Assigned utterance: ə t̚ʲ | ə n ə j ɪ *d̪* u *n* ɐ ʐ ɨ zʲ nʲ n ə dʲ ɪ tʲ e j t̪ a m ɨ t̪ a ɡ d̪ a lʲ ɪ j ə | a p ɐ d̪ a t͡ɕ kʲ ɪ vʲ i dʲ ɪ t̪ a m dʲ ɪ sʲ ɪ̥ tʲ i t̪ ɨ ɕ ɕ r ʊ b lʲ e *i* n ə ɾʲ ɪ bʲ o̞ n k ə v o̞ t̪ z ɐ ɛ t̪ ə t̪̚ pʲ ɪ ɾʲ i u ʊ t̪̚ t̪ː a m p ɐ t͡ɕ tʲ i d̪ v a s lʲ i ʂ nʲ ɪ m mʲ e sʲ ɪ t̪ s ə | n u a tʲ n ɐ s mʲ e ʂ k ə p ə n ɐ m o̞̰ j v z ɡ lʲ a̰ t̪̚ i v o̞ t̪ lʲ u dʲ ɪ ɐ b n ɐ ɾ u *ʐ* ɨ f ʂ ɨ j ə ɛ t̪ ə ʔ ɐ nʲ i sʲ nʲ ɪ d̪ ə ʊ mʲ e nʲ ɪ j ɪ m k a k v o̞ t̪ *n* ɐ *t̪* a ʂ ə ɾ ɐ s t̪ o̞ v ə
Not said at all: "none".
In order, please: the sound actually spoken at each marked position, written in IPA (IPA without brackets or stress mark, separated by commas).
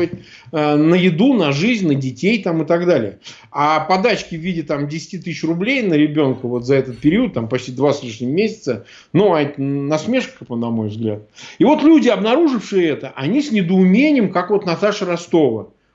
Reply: d̪, n, j, ʐ, n, t̪